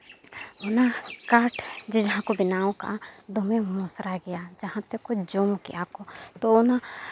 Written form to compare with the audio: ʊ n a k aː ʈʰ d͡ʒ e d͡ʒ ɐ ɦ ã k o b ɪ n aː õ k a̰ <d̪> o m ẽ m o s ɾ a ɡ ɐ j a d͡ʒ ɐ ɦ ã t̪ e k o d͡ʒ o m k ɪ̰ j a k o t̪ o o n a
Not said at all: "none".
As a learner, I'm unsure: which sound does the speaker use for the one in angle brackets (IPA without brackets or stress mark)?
d̪